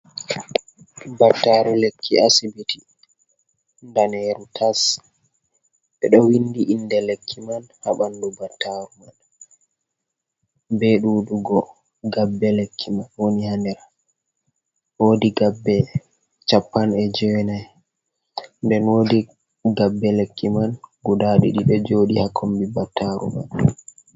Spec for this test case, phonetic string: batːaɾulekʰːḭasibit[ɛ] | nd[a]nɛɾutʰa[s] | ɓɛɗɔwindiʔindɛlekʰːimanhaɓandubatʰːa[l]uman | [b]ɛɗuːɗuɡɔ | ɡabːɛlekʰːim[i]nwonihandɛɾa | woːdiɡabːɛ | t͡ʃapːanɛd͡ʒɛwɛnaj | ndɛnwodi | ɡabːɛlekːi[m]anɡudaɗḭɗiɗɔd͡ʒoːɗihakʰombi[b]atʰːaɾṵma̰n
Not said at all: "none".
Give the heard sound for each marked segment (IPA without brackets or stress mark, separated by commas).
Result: i, a, s, ɾ, b, a, m, b